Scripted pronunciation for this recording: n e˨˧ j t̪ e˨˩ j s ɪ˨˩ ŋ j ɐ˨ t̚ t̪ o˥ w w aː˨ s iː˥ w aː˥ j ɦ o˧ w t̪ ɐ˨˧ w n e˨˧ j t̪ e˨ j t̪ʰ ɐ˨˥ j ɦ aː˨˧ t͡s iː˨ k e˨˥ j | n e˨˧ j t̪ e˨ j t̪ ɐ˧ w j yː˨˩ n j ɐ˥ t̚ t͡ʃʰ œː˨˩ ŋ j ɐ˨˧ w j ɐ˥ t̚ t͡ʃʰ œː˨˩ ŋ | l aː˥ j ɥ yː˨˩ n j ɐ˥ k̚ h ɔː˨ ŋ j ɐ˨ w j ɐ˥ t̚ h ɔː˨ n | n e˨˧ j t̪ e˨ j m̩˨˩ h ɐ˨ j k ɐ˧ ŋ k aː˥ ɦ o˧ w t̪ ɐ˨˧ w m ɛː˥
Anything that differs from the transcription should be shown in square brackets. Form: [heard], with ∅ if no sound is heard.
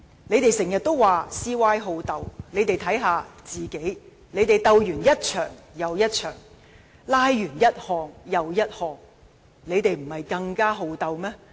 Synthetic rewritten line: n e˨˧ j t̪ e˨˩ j s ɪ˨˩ ŋ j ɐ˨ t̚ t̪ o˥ w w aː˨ s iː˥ w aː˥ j ɦ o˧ w t̪ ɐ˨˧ w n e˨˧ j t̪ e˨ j t̪ʰ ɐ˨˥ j ɦ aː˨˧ t͡s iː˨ k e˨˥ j | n e˨˧ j t̪ e˨ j t̪ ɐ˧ w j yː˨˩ n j ɐ˥ t̚ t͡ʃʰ œː˨˩ ŋ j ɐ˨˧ w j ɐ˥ t̚ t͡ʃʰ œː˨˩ ŋ | l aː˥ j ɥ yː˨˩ n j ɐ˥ [t̚] h ɔː˨ ŋ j ɐ˨ w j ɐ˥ t̚ h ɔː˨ [ŋ] | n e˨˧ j t̪ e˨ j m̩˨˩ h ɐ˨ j k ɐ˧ ŋ k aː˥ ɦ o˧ w t̪ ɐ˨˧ w m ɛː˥